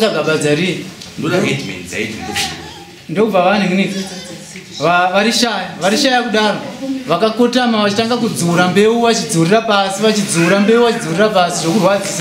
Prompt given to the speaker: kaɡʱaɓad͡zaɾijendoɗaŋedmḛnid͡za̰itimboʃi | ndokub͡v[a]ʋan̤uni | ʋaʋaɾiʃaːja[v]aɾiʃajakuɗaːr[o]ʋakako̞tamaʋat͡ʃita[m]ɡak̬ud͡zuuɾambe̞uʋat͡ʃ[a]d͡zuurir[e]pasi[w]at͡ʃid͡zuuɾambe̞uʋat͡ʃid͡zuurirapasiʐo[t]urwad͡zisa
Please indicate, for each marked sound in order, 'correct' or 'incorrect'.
correct, incorrect, correct, incorrect, incorrect, incorrect, incorrect, incorrect

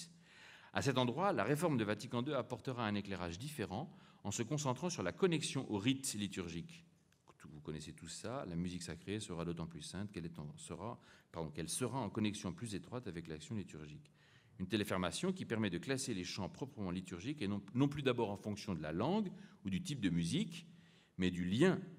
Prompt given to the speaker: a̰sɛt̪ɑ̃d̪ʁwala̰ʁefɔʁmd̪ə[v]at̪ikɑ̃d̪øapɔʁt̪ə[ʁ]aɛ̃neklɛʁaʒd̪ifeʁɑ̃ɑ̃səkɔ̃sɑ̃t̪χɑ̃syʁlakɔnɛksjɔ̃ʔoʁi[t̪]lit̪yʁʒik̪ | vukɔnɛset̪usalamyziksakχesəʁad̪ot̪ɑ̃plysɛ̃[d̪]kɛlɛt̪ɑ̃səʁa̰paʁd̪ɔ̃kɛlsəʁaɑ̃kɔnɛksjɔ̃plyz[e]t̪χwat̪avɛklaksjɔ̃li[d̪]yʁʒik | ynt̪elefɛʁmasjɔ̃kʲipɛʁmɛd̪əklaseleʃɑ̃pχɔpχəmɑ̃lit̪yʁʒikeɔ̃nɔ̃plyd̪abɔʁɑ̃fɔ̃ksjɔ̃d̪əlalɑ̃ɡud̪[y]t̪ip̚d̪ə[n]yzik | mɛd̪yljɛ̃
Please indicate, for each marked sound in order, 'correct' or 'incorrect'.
correct, correct, correct, incorrect, correct, incorrect, correct, incorrect

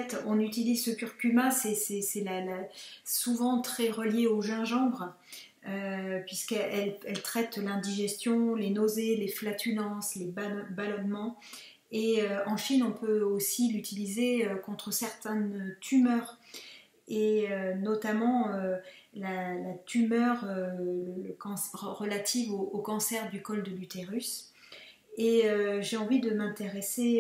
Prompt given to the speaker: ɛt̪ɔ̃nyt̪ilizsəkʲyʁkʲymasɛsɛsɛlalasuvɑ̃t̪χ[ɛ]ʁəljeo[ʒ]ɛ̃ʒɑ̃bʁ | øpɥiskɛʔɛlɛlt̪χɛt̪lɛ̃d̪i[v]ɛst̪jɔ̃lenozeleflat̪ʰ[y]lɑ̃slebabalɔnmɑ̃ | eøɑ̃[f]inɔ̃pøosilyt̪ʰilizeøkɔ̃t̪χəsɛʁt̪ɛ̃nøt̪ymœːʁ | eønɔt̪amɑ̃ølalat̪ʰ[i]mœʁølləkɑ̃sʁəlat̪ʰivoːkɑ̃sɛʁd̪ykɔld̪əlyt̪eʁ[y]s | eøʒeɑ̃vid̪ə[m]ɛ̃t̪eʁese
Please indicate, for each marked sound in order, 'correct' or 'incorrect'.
correct, correct, incorrect, correct, incorrect, incorrect, correct, correct

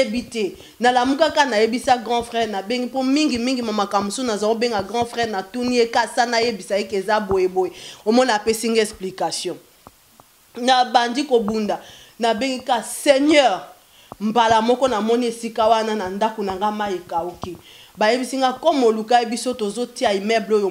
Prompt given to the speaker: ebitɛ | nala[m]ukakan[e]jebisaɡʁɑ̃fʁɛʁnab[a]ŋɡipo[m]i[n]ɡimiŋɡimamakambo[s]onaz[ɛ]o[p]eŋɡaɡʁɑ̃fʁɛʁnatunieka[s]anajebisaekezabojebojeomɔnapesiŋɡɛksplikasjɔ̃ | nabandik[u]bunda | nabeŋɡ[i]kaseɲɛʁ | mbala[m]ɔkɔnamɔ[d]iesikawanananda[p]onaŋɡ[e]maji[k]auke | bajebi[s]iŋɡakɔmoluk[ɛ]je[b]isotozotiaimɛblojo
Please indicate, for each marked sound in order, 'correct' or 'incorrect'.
correct, incorrect, incorrect, correct, incorrect, correct, incorrect, incorrect, correct, incorrect, correct, correct, incorrect, incorrect, incorrect, correct, correct, incorrect, correct

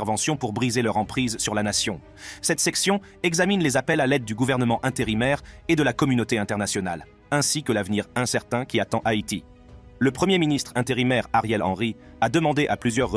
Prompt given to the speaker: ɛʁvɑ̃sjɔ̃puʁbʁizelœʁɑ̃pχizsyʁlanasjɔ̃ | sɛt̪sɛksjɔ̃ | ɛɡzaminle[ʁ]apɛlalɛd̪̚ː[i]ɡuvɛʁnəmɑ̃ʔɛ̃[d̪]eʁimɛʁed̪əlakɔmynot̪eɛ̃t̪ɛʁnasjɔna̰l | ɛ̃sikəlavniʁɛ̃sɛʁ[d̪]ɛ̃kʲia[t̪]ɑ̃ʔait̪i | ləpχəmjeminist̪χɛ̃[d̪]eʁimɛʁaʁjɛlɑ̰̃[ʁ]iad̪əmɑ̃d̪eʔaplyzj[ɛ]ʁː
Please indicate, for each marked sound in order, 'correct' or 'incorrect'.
incorrect, incorrect, incorrect, incorrect, correct, incorrect, correct, incorrect

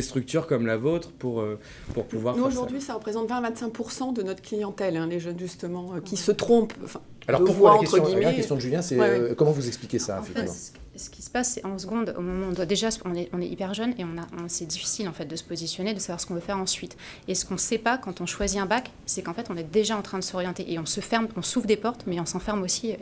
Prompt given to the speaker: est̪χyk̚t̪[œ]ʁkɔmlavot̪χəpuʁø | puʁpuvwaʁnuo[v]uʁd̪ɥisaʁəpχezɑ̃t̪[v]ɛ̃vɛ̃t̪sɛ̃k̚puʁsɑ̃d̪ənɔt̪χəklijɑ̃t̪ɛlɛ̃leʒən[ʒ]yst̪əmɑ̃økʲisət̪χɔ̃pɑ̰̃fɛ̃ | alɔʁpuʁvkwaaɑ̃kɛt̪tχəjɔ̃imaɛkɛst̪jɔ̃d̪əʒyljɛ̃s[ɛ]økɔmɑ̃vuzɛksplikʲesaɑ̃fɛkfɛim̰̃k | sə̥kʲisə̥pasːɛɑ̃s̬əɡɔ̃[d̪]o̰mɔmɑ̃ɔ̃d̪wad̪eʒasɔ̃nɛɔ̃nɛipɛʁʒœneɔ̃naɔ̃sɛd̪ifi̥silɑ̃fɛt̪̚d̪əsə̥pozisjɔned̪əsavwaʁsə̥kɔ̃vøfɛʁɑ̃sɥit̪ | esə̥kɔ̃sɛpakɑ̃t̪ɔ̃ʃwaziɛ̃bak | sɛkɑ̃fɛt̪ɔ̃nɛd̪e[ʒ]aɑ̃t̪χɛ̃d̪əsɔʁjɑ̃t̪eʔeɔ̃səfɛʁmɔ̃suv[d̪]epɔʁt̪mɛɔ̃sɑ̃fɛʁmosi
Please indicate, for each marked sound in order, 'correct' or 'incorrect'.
incorrect, incorrect, correct, correct, correct, correct, correct, correct

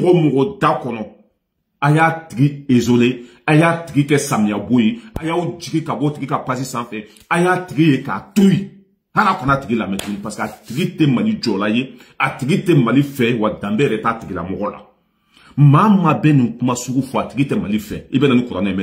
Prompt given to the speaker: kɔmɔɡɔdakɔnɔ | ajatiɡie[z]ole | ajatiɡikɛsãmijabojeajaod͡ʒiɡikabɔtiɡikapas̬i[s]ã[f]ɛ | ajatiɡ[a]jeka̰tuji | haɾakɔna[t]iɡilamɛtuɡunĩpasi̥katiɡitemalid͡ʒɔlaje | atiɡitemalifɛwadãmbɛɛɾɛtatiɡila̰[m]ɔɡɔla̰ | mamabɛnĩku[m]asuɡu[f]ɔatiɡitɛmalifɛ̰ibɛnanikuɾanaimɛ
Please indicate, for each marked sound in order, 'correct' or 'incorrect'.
correct, correct, correct, incorrect, correct, correct, correct, correct

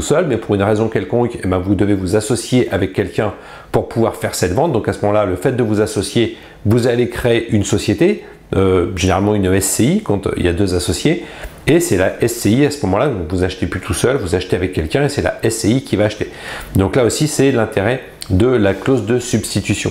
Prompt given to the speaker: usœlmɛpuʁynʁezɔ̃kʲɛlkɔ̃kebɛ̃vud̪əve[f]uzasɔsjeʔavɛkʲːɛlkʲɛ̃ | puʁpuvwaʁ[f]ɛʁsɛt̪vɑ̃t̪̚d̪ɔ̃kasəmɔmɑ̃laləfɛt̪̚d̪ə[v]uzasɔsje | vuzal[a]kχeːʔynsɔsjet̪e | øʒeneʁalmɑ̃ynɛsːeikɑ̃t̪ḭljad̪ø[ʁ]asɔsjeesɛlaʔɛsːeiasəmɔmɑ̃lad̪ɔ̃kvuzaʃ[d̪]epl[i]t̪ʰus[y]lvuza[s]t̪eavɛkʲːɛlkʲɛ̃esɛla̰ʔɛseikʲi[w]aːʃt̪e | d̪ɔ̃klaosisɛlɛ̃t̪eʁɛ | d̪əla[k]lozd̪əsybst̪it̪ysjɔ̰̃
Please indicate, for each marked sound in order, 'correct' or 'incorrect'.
incorrect, correct, correct, incorrect, incorrect, incorrect, incorrect, incorrect, incorrect, incorrect, correct

